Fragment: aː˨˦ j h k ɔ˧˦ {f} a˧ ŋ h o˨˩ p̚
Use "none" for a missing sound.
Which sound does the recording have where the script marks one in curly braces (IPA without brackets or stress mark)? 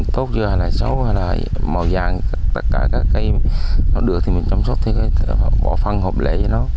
f